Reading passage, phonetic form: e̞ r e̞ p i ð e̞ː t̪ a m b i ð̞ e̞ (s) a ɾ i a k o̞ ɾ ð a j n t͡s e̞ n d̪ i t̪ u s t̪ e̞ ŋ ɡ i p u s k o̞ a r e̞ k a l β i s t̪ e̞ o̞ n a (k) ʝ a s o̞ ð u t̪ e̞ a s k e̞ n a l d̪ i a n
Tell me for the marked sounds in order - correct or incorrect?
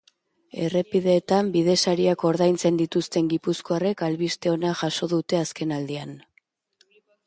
correct, incorrect

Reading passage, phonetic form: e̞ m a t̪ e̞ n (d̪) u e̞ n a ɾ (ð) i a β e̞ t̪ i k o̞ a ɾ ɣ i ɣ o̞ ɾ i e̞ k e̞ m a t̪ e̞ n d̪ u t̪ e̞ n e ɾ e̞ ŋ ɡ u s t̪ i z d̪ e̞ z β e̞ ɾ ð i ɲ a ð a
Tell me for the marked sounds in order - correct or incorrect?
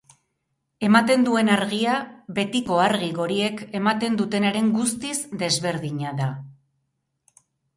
correct, incorrect

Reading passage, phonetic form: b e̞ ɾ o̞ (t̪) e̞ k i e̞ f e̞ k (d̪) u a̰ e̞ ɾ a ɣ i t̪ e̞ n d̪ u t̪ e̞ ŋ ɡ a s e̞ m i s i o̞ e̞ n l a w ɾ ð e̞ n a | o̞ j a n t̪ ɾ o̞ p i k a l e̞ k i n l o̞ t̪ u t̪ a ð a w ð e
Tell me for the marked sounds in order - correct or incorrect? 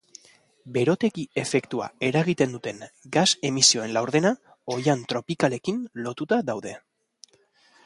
correct, incorrect

